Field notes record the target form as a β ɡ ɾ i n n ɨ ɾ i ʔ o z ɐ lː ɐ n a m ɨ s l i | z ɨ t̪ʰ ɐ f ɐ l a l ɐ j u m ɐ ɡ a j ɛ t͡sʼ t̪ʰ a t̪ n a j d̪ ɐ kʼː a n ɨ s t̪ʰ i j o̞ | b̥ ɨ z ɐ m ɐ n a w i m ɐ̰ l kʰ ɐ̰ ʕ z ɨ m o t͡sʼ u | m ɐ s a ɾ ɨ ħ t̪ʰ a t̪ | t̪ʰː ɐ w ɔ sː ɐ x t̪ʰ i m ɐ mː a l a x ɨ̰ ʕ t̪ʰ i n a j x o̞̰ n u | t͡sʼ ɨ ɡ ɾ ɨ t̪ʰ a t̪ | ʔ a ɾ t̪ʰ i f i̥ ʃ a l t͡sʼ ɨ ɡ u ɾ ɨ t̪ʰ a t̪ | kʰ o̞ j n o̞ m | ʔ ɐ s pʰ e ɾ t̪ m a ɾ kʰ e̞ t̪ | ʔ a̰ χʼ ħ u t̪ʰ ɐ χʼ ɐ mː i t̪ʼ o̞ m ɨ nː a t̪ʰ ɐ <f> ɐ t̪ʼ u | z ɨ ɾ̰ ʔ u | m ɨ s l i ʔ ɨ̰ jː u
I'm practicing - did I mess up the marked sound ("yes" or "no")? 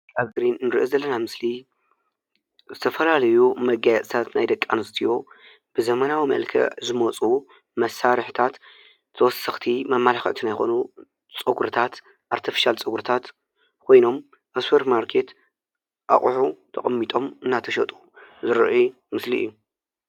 yes